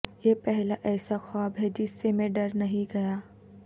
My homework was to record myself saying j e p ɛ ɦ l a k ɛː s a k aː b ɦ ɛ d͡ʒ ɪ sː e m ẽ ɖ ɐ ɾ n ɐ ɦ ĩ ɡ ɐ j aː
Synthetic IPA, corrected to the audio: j e p ɛ ɦ l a ʔ ɛː s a x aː b ɦ ɛ d͡ʒ ɪ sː e m ẽ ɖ ɐ ɾ n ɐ ɦ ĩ ɡ ɐ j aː